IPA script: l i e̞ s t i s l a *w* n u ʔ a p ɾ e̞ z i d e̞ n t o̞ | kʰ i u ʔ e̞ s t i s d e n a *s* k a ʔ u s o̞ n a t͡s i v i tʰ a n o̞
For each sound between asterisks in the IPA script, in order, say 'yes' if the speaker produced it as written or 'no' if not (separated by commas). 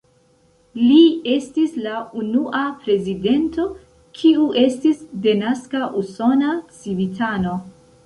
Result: no, yes